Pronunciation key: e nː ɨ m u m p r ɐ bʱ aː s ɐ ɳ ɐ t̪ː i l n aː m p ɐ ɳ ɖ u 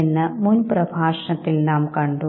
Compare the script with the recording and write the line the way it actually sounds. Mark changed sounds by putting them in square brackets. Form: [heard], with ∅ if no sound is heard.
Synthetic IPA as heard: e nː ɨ m u [n] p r ɐ bʱ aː [ʂ] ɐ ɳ ɐ t̪ː i l n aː m [k] ɐ ɳ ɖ u